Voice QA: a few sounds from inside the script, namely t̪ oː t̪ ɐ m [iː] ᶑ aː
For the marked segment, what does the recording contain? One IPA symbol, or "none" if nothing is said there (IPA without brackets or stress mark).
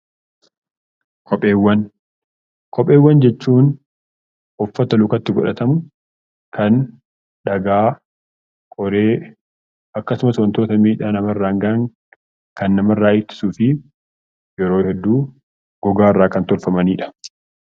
iː